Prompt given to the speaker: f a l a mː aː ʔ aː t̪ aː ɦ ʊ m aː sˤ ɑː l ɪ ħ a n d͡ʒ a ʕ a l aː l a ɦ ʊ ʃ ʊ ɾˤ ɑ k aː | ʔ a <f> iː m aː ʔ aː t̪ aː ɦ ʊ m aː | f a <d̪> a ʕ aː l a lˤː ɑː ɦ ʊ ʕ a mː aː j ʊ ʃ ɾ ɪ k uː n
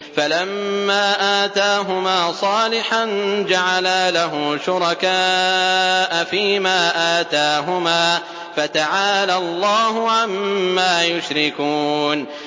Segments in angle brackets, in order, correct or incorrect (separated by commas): correct, incorrect